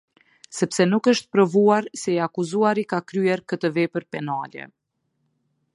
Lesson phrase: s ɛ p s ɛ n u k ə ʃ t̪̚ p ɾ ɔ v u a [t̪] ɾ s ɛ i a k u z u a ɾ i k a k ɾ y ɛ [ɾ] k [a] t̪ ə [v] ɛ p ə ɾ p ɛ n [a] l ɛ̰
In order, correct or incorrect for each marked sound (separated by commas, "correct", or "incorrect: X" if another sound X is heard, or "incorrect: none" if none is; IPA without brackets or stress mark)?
incorrect: none, correct, incorrect: ə, correct, correct